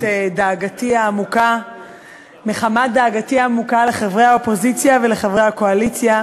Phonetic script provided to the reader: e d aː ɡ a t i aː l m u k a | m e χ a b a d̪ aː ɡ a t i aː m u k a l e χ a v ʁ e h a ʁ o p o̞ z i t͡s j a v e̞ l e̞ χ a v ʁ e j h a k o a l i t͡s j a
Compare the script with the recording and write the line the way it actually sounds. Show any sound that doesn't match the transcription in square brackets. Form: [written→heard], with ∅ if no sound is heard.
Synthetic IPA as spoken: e d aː ɡ a t i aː [l→∅] m u k a | m e χ a [b→m] a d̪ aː ɡ a t i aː m u k a l e χ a v ʁ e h a [ʁ→∅] o p o̞ z i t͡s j a v e̞ l e̞ χ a v ʁ e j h a k o a l i t͡s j a